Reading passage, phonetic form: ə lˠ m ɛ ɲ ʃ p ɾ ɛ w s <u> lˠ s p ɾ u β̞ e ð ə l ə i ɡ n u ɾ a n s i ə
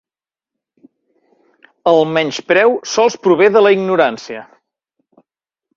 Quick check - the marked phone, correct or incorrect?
incorrect: ɔ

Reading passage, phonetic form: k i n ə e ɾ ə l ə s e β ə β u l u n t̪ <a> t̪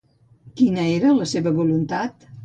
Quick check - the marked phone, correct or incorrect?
correct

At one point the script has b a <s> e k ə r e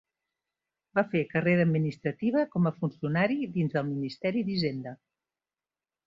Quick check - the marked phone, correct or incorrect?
incorrect: f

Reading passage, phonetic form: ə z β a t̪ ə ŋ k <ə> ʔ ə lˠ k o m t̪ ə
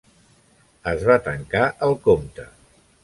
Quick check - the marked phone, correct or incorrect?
incorrect: a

